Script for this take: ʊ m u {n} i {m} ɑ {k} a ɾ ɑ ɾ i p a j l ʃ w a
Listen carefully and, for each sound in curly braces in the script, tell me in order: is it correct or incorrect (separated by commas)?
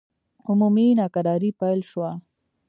incorrect, incorrect, correct